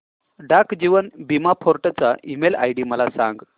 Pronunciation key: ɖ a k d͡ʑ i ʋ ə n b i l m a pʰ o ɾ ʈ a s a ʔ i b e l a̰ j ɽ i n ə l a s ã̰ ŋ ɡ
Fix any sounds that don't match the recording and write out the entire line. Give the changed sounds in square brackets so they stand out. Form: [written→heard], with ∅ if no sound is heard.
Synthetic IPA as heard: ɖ a k d͡ʑ i ʋ ə n b i [l→∅] m a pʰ o ɾ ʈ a [s→t͡s] a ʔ i [b→m] e l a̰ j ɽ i [n→m] ə l a s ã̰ ŋ ɡ